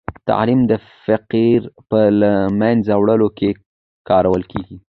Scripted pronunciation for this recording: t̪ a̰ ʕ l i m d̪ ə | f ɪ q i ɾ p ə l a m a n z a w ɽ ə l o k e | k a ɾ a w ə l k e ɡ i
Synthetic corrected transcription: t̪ a̰ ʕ l i m d̪ ə | f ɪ q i ɾ p ə l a m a n z a w ɽ ə l o k e | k ɑ ɾ a w ə l k e ɡ i